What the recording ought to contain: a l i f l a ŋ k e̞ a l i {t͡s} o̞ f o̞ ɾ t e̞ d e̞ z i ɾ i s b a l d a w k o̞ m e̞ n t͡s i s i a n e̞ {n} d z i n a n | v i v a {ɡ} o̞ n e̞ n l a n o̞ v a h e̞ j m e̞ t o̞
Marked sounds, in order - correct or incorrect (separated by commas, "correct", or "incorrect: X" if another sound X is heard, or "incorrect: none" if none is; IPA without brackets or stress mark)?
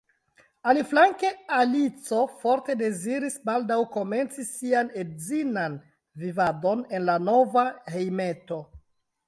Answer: correct, incorrect: none, incorrect: d